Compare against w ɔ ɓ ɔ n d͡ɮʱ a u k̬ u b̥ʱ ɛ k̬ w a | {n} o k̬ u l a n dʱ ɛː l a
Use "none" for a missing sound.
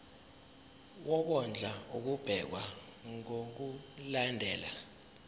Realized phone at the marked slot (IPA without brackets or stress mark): ŋ